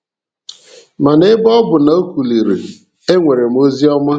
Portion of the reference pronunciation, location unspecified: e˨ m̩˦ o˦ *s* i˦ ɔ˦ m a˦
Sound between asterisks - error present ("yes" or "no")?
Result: yes